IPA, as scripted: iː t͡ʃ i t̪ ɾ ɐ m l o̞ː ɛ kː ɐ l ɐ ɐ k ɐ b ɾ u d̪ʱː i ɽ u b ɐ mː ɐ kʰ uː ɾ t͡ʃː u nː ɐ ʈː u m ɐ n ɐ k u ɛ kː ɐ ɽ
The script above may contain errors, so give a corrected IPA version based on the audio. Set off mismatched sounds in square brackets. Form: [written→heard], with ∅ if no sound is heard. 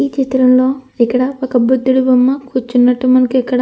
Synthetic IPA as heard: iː t͡ʃ i t̪ ɾ ɐ m l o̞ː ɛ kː ɐ [l→ɽ] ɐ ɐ k ɐ b ɾ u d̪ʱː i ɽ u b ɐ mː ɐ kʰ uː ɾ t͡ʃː u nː ɐ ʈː u m ɐ n ɐ k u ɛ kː ɐ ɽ